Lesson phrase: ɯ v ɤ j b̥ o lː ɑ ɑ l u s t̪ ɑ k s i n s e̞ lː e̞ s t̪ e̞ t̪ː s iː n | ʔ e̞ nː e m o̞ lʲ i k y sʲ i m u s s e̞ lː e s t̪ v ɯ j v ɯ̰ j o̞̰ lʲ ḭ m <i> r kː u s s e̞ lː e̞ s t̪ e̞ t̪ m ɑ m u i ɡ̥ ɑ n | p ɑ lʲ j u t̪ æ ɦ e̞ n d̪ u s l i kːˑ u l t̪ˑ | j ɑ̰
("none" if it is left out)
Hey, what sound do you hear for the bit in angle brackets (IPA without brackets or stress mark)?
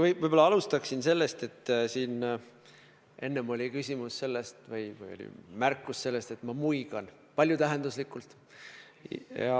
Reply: æ